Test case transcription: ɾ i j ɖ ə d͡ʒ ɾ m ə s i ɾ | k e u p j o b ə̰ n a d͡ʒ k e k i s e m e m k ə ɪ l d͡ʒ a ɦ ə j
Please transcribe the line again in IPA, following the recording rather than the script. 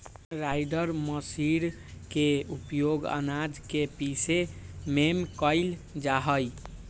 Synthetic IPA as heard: ɾ a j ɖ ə ɾ m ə s i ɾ | k e u p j o ɡ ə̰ n a d͡ʒ k e p i s e m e m k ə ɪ l d͡ʒ a ɦ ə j